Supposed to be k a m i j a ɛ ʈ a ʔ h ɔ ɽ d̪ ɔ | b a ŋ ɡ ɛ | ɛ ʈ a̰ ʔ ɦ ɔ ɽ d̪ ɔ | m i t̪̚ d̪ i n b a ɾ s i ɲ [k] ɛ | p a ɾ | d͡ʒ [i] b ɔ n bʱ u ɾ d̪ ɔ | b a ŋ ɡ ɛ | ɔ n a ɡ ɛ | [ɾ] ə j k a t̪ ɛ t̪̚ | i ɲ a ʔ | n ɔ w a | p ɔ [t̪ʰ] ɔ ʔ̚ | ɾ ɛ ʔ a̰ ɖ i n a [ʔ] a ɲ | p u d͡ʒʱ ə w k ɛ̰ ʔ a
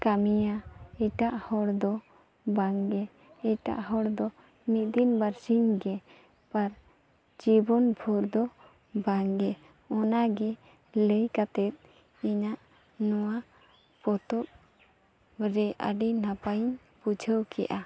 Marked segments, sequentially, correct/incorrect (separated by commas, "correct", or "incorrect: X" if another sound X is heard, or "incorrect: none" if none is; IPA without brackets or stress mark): incorrect: ɡ, correct, incorrect: l, incorrect: t̪, incorrect: p